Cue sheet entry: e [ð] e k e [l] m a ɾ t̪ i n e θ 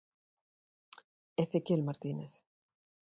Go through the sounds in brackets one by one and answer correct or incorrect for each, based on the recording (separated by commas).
incorrect, correct